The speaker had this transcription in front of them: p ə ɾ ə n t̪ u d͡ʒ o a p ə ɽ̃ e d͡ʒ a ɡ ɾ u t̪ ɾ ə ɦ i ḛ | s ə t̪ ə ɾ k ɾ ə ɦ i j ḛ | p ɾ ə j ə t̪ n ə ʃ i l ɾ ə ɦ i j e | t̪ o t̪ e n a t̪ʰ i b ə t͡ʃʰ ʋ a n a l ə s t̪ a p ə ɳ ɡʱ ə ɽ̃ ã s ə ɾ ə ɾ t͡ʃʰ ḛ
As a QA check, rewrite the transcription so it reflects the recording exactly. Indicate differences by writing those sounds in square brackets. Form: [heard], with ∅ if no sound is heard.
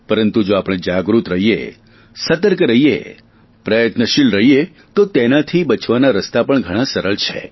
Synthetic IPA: p ə ɾ ə n t̪ u d͡ʒ o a p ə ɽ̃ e d͡ʒ a ɡ ɾ u t̪ ɾ ə ɦ i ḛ | s ə t̪ ə ɾ k ɾ ə ɦ i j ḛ | p ɾ ə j ə t̪ n ə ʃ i l ɾ ə ɦ i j e | t̪ o t̪ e n a t̪ʰ i b ə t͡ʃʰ ʋ a n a [ɾ] ə s t̪ a p ə ɳ ɡʱ ə ɽ̃ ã s ə ɾ ə [ɭ] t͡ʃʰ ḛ